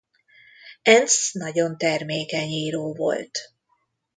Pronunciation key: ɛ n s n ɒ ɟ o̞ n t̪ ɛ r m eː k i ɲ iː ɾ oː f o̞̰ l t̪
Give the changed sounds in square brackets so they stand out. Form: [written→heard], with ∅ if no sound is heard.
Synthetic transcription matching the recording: ɛ n s n ɒ ɟ o̞ n t̪ ɛ r m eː k [i→ɛ] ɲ iː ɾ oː [f→v] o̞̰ l t̪